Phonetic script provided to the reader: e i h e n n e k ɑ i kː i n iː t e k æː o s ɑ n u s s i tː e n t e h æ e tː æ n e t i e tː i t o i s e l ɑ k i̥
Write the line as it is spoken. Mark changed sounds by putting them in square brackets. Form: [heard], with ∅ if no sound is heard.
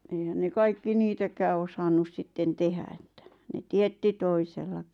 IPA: e i h [æ] n n e k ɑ i kː i n iː t [æ] k æː o s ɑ [nː] u s s i tː e n t e h æ e tː æ n e t i e tː i t o i s e [lː] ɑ k i̥